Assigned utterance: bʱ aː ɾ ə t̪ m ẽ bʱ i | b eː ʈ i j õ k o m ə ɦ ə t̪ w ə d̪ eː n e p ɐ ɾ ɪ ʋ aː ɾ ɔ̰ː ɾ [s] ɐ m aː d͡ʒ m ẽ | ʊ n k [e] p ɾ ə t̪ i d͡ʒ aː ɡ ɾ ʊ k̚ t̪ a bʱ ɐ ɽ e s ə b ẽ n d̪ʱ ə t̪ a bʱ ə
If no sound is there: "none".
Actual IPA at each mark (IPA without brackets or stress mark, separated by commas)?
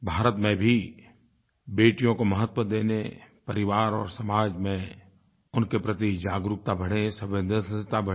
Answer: s, e